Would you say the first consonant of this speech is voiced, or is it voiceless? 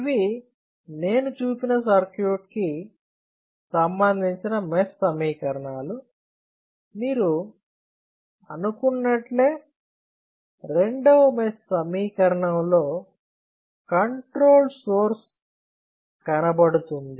voiced